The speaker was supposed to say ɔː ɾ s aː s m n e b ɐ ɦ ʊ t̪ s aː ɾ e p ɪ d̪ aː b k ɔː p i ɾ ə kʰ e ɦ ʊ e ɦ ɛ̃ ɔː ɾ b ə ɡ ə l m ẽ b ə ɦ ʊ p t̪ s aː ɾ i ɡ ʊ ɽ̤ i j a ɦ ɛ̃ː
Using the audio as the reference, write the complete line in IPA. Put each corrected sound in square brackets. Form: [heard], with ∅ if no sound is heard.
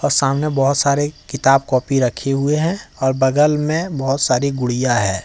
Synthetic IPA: ɔː ɾ s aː [∅] m n e b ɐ ɦ ʊ t̪ s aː ɾ e [k] ɪ [t̪] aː b k ɔː p i ɾ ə kʰ e ɦ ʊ e ɦ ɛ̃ ɔː ɾ b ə ɡ ə l m ẽ b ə ɦ ʊ [∅] t̪ s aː ɾ i ɡ ʊ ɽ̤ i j a ɦ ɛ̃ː